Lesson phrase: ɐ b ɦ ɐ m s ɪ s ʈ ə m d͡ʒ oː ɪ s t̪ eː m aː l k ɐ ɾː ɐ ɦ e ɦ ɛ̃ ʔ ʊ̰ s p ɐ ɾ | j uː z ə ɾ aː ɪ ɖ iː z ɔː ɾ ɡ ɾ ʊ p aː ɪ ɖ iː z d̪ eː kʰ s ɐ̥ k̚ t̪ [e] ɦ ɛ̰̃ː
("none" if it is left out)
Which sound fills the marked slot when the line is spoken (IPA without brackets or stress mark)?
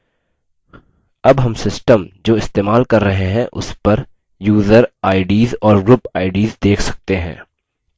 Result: e